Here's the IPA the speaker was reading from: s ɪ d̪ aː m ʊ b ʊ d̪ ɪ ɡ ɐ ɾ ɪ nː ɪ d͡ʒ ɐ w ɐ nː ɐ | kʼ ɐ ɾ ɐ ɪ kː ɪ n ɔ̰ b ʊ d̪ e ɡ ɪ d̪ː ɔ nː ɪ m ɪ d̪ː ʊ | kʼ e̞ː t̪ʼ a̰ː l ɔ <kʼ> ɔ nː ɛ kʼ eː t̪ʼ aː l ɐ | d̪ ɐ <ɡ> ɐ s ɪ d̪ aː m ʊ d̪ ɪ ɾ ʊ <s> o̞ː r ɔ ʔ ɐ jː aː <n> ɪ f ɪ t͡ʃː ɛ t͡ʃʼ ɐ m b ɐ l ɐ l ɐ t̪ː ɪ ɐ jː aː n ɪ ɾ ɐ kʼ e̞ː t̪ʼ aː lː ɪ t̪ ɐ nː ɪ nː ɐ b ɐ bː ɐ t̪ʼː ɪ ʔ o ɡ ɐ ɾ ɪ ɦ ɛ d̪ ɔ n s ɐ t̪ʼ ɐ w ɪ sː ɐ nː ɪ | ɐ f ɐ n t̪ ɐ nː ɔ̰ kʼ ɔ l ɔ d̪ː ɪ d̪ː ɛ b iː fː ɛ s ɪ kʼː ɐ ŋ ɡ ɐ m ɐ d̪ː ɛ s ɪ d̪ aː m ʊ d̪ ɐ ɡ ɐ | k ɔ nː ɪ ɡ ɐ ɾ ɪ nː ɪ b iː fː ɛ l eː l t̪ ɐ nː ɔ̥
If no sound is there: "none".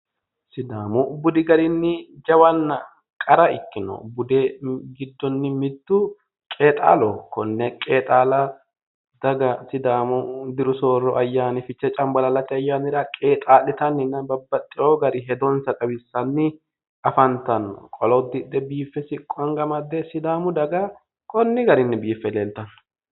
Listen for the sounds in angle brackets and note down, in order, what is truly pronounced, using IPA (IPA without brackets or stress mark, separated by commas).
k, ɡ, s, n